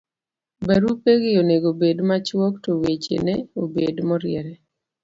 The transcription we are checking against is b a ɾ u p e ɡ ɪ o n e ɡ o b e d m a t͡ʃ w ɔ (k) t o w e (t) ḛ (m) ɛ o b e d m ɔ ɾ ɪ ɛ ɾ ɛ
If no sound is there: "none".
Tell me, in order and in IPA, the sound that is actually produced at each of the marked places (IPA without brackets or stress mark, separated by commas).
k, t͡ʃ, n